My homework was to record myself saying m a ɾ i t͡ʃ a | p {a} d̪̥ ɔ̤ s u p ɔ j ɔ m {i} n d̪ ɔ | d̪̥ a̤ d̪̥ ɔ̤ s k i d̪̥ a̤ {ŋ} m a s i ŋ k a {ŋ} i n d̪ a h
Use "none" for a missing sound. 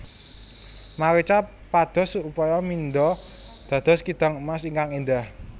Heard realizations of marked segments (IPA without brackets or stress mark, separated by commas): a, i, ŋ, ŋ